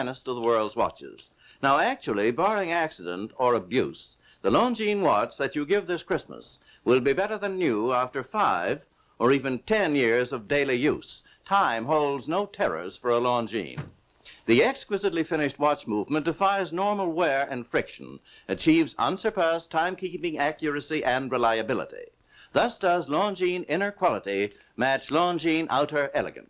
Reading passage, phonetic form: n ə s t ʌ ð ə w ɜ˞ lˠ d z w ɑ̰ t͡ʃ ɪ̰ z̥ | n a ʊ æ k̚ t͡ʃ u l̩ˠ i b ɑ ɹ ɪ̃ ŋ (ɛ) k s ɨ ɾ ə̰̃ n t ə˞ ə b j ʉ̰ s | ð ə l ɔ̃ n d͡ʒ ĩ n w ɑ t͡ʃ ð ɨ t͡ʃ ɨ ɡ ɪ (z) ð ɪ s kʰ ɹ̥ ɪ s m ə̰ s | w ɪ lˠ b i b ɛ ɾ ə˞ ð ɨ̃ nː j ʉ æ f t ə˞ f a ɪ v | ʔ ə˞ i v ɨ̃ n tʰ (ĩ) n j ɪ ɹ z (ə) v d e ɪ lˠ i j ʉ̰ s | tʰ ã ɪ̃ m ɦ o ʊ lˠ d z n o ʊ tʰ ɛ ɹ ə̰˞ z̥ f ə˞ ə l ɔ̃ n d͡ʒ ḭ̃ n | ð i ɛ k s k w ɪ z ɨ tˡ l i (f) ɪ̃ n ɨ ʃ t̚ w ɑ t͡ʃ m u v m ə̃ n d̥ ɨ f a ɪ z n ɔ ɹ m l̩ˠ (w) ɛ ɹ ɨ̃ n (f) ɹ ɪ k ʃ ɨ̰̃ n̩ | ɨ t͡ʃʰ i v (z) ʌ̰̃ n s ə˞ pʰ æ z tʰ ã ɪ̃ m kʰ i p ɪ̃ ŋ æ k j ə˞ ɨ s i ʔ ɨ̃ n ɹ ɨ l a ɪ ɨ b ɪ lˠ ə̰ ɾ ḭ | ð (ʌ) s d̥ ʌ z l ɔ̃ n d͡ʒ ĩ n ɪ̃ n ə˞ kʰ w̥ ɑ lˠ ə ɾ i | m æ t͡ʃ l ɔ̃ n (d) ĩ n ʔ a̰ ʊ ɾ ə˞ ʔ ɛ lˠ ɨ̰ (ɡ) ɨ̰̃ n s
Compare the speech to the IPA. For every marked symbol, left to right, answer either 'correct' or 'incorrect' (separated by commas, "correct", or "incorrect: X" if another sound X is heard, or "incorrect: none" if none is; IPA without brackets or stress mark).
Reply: incorrect: æ, incorrect: v, incorrect: ɛ̃, incorrect: ʌ, correct, correct, correct, correct, correct, incorrect: d͡ʒ, correct